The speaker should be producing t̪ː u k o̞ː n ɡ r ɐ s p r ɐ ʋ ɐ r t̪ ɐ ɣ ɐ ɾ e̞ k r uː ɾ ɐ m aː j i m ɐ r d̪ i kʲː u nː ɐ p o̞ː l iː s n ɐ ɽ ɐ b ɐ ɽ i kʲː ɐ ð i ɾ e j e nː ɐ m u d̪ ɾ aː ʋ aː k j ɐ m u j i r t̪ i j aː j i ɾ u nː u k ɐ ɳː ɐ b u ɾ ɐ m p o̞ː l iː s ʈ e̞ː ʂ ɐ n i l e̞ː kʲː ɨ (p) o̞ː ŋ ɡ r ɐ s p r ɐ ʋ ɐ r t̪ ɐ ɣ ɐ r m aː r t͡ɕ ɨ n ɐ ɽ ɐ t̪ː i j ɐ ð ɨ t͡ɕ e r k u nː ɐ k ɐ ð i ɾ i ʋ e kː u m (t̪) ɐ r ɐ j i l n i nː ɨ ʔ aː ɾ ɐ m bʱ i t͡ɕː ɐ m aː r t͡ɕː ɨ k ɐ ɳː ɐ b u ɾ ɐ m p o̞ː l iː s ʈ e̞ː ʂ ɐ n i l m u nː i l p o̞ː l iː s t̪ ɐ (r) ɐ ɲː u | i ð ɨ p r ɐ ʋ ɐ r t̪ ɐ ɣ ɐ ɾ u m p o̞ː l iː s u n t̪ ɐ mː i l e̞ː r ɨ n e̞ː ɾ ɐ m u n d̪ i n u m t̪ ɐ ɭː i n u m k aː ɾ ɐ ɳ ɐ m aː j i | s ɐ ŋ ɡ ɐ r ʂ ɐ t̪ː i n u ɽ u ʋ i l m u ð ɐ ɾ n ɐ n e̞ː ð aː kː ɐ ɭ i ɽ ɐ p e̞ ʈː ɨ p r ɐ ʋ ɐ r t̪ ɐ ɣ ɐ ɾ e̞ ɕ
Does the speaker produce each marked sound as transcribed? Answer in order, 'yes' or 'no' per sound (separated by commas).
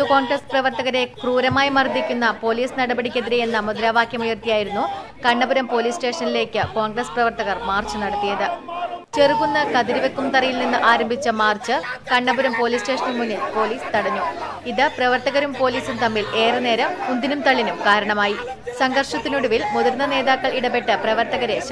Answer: no, yes, no